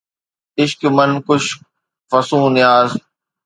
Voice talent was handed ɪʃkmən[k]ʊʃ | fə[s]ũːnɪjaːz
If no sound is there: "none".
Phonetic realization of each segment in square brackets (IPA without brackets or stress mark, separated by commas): k, s